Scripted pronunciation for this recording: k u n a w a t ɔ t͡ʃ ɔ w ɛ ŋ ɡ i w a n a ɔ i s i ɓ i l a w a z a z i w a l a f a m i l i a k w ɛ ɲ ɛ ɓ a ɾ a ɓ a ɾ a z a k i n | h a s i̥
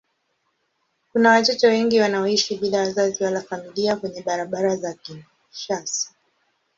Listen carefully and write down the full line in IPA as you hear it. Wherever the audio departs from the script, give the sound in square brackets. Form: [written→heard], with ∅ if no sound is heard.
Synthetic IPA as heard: k u n a w a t ɔ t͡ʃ ɔ w ɛ ŋ ɡ i w a n a ɔ i [s→ʃ] i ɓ i l a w a z a z i w a l a f a m i l i a k w ɛ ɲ ɛ ɓ a ɾ a ɓ a ɾ a z a k i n | [h→ʃ] a s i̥